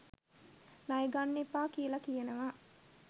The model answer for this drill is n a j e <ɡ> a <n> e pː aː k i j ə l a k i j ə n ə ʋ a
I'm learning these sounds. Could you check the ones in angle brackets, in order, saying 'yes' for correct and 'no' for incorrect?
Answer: yes, no

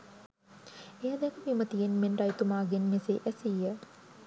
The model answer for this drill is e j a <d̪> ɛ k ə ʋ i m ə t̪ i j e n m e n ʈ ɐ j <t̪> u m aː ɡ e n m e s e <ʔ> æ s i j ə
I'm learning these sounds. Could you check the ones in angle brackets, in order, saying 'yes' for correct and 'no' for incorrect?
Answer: yes, yes, yes

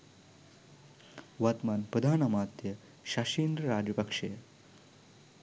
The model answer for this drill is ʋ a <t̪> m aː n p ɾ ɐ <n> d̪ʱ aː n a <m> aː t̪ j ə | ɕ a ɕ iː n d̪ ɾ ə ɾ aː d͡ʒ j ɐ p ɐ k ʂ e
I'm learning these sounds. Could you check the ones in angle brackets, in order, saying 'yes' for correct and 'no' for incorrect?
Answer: yes, no, yes

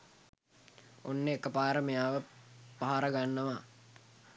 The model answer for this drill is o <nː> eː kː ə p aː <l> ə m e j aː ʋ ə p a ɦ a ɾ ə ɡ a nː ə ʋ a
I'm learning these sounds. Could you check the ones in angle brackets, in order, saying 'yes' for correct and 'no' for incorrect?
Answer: yes, no

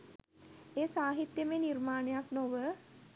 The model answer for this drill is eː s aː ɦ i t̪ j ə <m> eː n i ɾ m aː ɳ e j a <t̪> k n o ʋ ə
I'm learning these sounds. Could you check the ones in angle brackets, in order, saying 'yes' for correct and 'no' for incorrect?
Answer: yes, no

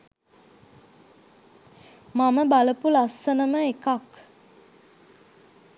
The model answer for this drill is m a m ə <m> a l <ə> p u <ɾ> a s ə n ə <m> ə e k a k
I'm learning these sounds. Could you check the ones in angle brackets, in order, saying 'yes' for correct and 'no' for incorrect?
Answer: no, yes, no, yes

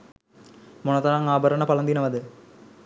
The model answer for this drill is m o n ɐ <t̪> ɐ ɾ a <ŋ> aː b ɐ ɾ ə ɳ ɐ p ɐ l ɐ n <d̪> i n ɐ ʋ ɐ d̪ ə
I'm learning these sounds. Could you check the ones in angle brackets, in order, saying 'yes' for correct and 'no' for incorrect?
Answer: yes, yes, yes

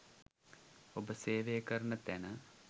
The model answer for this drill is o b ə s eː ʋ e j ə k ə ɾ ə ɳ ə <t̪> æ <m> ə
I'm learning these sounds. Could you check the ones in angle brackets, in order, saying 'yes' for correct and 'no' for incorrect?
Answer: yes, no

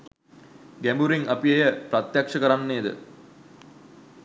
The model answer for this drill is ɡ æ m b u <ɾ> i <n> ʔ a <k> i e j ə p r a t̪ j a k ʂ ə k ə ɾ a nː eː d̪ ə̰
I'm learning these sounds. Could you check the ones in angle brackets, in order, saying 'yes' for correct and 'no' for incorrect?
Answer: yes, no, no

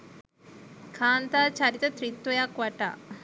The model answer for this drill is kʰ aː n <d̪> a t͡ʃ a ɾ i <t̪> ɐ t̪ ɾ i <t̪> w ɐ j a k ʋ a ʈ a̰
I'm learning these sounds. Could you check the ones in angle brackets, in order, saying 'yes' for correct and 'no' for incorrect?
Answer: no, yes, yes

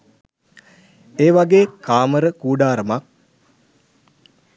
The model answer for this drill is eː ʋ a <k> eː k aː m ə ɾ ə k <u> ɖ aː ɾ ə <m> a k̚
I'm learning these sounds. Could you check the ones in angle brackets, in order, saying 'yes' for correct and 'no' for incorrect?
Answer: no, no, yes

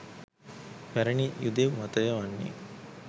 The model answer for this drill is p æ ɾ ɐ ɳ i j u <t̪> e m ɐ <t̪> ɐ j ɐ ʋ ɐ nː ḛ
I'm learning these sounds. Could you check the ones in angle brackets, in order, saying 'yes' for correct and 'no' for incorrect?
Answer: no, yes

